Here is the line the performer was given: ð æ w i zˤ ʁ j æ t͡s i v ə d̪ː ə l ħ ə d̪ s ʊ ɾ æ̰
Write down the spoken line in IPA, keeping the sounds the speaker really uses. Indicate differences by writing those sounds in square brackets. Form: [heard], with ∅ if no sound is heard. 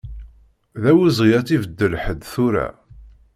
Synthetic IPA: ð æ w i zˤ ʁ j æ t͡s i v ə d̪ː ə l ħ ə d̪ [θ] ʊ ɾ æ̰